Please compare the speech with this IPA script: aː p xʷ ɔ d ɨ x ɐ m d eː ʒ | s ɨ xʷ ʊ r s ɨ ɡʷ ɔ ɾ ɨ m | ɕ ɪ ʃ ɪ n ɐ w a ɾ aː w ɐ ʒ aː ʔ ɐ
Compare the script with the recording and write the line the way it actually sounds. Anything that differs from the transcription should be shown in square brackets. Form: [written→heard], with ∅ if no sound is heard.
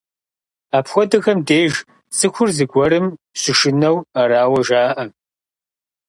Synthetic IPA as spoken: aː p xʷ ɔ d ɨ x ɐ m d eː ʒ | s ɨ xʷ ʊ r [s→z] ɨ ɡʷ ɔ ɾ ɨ m | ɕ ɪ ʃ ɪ n ɐ w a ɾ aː w ɐ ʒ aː ʔ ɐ